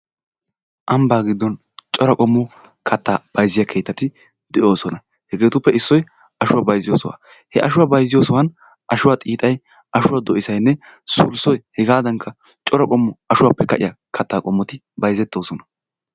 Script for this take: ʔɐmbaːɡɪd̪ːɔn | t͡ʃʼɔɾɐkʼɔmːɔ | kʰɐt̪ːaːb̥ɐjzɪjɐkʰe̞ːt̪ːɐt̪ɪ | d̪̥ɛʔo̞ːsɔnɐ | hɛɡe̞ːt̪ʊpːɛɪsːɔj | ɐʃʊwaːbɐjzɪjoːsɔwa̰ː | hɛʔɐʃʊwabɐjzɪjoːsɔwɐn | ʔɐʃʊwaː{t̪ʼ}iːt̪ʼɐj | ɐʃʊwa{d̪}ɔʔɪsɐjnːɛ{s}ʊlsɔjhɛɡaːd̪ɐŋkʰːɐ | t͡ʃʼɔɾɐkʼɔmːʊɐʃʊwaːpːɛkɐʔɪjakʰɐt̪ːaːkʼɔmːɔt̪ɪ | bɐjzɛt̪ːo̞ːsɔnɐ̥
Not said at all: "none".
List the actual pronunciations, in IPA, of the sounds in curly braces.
t̪ʼ, d̪, s

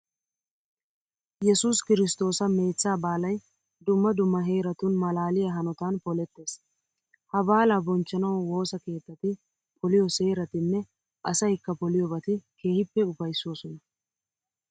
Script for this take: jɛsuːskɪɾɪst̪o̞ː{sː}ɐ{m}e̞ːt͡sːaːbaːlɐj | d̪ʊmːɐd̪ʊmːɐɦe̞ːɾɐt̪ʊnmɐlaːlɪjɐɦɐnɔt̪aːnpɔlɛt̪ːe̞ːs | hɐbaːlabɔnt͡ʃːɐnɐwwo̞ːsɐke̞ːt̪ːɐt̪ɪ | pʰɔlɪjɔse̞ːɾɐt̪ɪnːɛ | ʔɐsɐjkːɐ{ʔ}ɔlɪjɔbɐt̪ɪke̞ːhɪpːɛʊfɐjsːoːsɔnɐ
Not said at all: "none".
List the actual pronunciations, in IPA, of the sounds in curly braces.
s, m, p

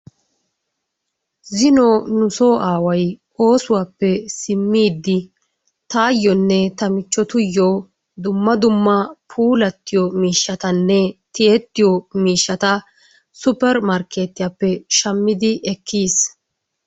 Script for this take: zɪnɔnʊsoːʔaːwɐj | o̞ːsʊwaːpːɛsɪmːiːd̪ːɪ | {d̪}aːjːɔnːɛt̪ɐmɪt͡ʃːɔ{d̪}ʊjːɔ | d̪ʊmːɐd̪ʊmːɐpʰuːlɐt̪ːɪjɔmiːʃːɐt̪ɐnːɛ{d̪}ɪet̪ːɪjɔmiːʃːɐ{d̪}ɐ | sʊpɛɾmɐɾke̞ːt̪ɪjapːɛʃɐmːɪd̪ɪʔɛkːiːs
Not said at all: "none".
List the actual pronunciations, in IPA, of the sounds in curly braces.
t̪, t̪, t̪, t̪

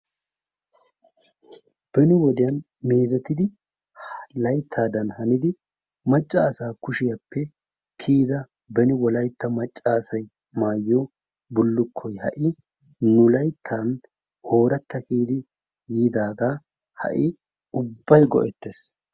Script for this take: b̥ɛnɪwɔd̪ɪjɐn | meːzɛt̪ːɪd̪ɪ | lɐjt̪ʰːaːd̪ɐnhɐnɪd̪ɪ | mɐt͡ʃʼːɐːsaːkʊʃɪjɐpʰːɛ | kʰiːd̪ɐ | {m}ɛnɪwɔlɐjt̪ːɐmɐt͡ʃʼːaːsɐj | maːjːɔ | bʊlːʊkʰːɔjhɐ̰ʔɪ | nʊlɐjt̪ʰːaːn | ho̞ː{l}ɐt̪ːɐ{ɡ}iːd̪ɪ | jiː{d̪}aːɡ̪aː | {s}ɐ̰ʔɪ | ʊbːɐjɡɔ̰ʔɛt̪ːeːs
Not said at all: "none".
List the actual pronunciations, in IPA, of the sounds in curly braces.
b, ɾ, k, d̪, h

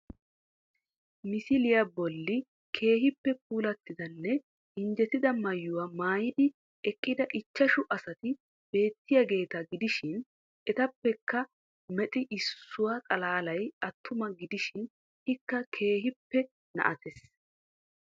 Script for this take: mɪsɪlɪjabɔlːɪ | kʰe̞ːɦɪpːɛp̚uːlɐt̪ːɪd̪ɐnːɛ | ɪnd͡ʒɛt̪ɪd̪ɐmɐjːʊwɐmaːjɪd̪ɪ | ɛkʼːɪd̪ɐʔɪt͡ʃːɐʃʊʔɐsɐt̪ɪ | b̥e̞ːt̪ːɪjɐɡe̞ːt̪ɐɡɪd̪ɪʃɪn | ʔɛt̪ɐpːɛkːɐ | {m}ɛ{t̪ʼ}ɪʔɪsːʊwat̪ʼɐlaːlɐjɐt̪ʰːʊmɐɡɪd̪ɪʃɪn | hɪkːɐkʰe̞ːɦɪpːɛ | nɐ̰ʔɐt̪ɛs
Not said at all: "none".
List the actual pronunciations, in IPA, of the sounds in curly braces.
m, t̪ʼ

